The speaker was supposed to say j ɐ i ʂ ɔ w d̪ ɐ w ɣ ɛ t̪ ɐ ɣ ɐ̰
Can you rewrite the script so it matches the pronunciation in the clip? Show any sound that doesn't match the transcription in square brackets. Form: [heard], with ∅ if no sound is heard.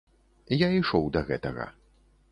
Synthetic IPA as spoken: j [a] i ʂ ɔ w d̪ ɐ [∅] ɣ ɛ t̪ ɐ ɣ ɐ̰